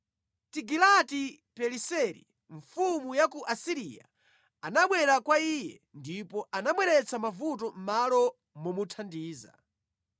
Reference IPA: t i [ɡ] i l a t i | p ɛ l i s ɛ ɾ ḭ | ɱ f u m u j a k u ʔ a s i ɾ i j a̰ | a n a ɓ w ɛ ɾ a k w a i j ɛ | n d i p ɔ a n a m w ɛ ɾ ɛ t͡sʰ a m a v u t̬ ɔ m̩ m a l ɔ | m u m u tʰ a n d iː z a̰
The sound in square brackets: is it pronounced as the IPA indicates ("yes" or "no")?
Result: yes